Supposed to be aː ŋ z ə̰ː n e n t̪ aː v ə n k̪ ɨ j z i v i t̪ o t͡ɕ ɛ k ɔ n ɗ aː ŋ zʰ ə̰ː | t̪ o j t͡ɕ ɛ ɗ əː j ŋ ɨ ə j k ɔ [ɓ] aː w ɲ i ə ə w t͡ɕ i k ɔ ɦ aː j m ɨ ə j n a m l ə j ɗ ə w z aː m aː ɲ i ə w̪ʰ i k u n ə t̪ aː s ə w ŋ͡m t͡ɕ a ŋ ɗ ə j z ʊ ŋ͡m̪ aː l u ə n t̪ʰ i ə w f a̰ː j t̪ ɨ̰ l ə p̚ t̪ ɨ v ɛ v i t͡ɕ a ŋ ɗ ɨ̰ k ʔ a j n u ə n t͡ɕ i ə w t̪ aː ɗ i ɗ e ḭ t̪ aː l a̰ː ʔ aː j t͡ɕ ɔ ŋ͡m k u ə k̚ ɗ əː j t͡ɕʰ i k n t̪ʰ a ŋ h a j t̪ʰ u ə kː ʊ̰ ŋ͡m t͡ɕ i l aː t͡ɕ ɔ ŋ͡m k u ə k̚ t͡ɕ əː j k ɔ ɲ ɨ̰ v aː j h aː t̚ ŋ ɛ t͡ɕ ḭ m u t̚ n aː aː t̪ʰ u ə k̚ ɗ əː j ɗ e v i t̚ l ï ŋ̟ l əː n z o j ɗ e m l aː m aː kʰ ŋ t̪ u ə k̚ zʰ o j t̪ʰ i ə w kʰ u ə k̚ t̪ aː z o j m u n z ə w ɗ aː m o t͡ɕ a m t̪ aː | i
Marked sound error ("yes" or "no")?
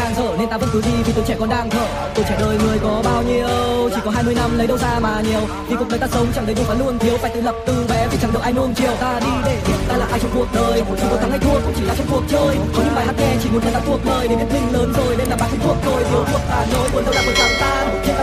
no